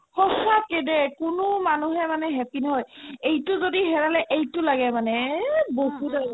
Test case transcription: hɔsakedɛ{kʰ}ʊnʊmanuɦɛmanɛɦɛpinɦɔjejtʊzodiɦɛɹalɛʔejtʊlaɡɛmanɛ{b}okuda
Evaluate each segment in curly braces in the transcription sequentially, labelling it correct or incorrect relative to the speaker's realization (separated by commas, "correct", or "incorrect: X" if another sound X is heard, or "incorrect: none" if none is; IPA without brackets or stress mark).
incorrect: k, correct